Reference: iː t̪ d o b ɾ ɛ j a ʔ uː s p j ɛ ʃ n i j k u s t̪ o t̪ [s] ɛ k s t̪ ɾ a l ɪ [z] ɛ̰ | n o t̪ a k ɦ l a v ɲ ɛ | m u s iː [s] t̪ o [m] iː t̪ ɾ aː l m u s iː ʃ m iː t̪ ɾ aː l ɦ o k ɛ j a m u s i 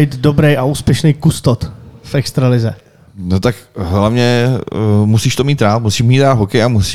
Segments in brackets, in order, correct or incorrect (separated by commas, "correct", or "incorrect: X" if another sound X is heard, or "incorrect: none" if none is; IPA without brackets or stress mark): incorrect: f, correct, incorrect: ʃ, correct